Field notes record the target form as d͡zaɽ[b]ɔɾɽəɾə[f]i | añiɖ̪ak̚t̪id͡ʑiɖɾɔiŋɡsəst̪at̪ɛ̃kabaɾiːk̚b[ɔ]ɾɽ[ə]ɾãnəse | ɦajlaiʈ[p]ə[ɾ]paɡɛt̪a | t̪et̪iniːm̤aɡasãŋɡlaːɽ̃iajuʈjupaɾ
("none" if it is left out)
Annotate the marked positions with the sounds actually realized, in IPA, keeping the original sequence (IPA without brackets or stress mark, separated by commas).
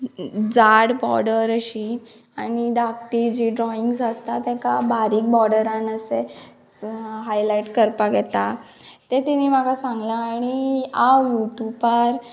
b, ɕ, ɔ, ə, k, ɾ